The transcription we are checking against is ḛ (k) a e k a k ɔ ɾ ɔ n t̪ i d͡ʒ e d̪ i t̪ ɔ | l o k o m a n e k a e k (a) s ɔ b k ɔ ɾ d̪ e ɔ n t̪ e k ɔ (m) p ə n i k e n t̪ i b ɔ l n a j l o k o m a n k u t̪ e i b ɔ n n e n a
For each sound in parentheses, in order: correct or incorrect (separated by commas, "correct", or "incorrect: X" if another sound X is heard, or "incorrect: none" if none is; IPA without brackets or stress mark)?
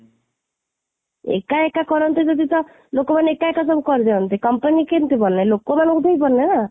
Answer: correct, correct, correct